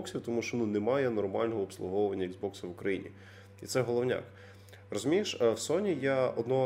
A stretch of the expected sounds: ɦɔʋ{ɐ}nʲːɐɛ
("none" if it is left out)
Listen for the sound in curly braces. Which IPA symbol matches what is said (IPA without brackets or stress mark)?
ɐ